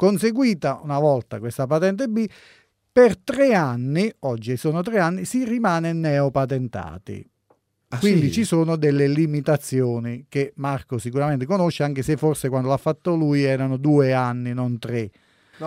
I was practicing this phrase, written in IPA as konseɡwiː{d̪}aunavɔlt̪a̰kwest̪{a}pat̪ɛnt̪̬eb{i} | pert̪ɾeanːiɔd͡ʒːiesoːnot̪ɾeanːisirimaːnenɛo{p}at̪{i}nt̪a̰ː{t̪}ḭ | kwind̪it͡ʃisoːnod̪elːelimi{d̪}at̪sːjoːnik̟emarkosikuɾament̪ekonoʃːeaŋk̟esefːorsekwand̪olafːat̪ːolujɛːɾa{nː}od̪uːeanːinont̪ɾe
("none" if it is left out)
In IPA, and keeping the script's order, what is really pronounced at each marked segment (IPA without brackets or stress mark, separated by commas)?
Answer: t̪, a, i, p, e, t̪, t̪, n